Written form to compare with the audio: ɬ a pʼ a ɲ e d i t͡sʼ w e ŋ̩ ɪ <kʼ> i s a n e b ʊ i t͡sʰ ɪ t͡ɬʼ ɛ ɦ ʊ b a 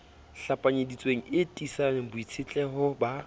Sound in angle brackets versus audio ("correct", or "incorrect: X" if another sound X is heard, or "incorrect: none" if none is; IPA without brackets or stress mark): incorrect: tʼ